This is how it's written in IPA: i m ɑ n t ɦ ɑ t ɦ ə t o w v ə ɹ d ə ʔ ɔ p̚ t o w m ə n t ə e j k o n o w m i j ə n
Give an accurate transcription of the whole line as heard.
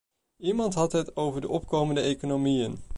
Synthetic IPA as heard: i m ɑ n t ɦ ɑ t ɦ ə t o w v ə ɹ d ə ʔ ɔ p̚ k o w m ə n d ə e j k o n o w m i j ə n